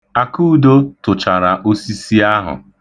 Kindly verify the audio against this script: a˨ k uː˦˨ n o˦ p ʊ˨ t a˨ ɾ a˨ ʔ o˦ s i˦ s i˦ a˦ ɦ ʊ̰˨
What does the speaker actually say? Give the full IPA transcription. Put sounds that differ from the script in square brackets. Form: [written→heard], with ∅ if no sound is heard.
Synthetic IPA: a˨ k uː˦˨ [n→d] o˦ [p→t] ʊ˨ [t→t͡ʃ] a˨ ɾ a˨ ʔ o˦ s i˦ s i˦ a˦ ɦ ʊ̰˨